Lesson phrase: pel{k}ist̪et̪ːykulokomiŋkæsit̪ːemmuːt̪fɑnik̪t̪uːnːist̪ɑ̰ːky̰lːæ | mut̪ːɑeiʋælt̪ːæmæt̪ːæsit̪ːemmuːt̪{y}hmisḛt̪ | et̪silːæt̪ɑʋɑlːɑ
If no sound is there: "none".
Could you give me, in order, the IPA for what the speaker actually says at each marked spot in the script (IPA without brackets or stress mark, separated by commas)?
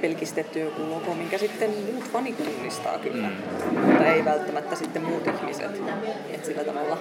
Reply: k, i